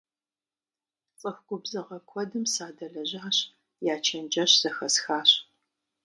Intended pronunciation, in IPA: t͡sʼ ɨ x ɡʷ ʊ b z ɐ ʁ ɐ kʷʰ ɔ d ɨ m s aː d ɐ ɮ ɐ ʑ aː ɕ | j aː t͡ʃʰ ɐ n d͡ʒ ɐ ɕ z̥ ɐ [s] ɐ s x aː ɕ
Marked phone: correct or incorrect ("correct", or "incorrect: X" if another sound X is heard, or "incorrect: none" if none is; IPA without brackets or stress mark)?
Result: incorrect: x